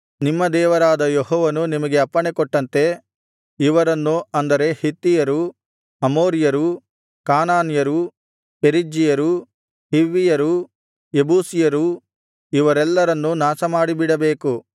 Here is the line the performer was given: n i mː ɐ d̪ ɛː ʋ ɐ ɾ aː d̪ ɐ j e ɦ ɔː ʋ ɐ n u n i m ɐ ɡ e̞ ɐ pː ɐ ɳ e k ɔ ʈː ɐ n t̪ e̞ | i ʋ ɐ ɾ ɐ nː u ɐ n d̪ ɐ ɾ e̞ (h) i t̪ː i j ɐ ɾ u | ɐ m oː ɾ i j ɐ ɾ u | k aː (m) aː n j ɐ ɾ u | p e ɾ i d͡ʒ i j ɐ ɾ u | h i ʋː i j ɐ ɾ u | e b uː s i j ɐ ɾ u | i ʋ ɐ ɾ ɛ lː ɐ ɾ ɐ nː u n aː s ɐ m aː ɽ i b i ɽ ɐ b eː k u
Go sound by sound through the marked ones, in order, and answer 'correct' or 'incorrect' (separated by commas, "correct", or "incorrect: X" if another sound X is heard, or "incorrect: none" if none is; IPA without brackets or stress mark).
correct, incorrect: n